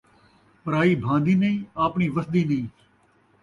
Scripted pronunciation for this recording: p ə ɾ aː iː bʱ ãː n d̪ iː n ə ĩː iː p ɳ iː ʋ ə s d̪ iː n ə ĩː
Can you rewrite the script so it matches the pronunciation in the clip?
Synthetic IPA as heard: p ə ɾ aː iː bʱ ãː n d̪ iː n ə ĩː aː p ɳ iː ʋ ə s d̪ iː n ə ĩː